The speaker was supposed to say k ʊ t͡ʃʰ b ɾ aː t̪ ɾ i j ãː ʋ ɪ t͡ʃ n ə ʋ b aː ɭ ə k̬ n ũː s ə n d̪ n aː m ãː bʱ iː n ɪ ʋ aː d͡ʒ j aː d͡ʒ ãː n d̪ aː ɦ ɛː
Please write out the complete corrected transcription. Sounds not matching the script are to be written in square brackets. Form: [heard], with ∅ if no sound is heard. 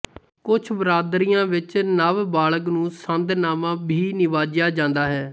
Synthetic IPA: k ʊ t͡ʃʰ b ɾ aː [d̪] ɾ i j ãː ʋ ɪ t͡ʃ n ə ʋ b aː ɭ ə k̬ n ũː s ə n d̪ n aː m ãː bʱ iː n ɪ ʋ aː d͡ʒ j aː d͡ʒ ãː n d̪ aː ɦ ɛː